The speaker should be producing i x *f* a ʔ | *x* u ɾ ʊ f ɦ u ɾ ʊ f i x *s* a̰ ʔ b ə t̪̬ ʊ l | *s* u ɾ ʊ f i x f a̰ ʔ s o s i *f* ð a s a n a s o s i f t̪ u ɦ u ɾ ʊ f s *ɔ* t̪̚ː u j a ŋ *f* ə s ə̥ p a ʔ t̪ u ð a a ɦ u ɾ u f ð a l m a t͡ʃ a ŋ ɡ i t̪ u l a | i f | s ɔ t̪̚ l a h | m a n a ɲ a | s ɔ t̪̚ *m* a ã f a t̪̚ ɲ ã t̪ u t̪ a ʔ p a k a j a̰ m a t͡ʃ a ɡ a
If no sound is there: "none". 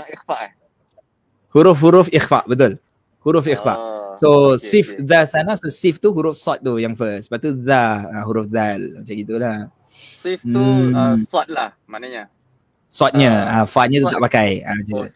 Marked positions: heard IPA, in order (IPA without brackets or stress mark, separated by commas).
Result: f, h, f, h, f, ɔ, f, ɲ